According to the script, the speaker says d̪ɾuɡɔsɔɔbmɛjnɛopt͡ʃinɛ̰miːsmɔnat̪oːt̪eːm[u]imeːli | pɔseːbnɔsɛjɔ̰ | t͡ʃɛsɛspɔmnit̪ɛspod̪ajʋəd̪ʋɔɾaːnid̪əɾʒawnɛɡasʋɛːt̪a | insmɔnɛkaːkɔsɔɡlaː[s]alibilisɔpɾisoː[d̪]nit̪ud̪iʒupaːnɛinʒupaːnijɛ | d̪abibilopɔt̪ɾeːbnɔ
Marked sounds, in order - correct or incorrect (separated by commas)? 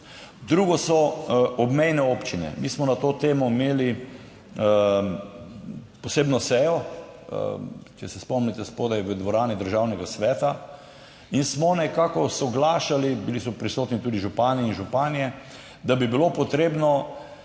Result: incorrect, incorrect, incorrect